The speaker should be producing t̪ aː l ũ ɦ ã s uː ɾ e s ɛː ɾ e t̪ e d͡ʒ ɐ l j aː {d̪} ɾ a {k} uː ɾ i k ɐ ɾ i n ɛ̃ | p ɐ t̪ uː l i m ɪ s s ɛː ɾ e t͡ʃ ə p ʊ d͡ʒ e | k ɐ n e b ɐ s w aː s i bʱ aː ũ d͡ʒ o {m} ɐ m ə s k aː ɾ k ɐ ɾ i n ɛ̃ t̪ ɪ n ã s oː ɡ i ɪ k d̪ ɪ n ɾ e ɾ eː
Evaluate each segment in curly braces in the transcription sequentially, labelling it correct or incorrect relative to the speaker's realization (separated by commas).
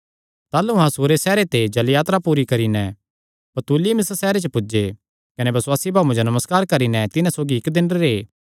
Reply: incorrect, incorrect, incorrect